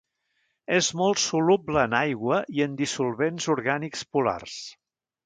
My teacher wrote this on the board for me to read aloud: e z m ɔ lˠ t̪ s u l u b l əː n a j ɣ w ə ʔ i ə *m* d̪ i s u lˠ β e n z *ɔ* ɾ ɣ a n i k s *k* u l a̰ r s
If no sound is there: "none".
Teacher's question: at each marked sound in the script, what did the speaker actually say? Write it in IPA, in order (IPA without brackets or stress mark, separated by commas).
n, u, p